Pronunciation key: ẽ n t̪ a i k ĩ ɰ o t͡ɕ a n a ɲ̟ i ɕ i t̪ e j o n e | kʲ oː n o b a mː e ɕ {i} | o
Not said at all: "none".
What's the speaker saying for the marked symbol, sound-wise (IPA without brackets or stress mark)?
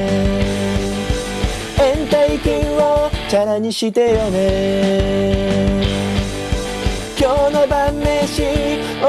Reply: i